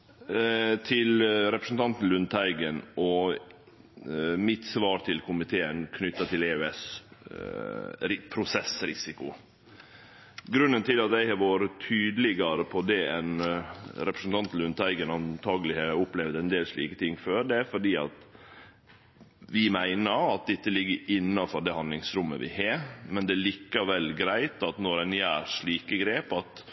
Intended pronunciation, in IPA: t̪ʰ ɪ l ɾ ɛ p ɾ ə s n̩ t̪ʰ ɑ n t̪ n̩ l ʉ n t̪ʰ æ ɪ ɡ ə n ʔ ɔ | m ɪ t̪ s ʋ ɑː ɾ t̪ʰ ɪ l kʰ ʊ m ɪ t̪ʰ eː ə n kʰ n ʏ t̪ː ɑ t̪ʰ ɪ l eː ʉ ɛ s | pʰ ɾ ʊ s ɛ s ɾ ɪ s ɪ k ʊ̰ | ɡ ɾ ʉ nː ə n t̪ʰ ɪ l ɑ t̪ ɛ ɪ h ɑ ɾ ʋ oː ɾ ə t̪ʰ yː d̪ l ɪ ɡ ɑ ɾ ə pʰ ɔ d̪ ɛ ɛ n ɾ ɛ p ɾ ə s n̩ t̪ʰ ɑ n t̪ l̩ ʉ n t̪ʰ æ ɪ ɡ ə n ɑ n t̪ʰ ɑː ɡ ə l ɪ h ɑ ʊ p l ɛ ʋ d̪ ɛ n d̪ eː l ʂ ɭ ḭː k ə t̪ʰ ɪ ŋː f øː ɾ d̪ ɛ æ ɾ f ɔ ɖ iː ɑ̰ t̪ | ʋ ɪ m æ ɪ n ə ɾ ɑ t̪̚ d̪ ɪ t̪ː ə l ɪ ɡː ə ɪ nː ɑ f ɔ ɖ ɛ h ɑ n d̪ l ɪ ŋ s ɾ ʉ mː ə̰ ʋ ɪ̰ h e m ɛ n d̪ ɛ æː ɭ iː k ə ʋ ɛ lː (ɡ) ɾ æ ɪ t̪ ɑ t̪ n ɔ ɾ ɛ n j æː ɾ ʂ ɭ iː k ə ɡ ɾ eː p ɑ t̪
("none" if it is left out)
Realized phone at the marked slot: ɡ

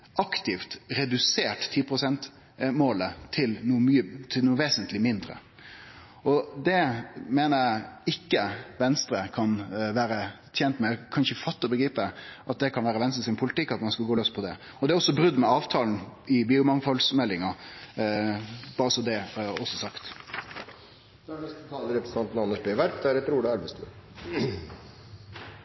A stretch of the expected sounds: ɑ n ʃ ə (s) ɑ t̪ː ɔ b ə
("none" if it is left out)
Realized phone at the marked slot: f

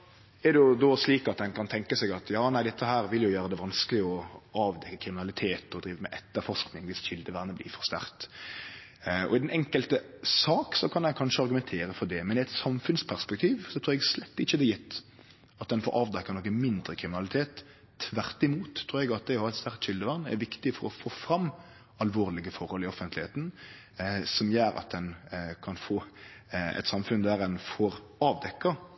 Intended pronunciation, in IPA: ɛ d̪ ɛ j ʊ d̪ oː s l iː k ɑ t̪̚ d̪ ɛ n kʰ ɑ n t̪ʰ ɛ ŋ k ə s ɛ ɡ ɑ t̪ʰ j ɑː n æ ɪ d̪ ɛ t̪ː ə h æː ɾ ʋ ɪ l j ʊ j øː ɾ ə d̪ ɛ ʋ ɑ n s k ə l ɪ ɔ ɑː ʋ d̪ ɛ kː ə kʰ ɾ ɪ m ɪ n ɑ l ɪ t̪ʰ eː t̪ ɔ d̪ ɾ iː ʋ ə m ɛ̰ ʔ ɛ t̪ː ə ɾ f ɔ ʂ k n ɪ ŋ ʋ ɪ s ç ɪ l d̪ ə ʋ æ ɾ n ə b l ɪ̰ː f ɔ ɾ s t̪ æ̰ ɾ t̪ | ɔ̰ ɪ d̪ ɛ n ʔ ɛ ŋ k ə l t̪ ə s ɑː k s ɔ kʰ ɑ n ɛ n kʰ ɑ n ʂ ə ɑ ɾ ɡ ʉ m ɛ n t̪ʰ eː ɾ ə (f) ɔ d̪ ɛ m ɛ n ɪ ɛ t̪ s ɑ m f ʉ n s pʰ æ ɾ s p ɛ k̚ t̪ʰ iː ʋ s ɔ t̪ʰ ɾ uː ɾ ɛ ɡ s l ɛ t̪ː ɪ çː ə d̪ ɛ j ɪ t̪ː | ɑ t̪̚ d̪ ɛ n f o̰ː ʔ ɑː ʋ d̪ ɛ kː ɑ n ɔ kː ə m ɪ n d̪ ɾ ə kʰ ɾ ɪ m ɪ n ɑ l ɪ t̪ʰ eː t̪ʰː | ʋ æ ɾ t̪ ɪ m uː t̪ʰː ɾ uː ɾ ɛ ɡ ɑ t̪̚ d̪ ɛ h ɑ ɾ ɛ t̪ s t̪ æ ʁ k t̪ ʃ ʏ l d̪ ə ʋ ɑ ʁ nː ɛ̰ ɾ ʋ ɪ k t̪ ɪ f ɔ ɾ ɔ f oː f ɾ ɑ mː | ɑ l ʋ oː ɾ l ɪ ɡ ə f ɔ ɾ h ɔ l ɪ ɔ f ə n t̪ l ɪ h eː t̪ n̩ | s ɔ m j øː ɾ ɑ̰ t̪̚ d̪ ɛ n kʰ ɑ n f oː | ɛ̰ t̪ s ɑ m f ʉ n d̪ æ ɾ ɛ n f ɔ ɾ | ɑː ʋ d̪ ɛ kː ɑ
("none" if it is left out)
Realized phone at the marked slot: f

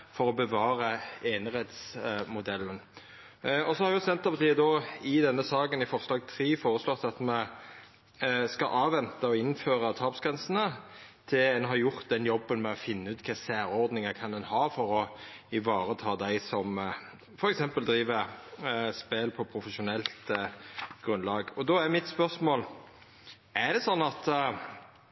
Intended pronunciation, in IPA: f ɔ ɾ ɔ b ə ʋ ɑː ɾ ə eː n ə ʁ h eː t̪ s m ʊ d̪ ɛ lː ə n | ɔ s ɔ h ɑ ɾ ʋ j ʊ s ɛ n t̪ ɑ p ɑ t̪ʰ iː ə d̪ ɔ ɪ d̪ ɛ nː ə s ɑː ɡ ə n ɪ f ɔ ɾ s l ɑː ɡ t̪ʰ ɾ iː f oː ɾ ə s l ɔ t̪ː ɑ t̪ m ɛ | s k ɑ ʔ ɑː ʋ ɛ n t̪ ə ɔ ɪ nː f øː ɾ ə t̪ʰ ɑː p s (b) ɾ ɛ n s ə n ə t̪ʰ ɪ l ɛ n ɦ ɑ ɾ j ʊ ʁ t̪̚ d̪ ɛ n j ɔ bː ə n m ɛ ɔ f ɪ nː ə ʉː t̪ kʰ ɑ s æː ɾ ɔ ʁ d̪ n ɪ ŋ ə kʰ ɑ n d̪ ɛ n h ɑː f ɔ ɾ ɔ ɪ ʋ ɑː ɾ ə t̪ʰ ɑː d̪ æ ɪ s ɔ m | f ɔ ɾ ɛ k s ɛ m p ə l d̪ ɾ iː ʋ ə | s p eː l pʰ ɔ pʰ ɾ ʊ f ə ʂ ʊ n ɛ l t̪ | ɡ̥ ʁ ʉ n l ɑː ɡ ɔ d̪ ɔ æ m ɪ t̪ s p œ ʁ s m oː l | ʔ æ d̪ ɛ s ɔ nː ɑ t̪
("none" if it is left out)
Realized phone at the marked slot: ɡ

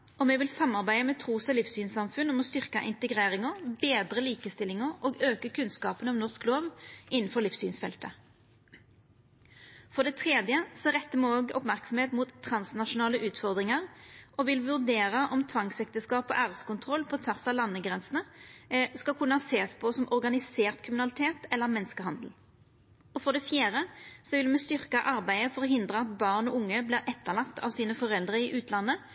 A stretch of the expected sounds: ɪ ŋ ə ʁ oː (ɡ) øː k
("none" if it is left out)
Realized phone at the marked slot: ɡ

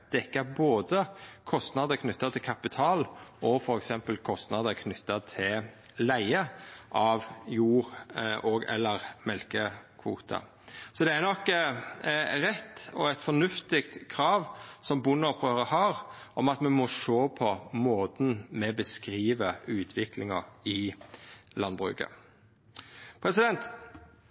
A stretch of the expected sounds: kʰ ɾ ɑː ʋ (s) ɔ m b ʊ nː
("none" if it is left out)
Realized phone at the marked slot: s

